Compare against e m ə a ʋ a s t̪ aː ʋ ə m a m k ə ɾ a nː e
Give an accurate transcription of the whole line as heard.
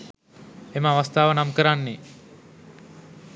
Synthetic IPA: e m ə a ʋ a s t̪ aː ʋ ə n a m k ə ɾ a nː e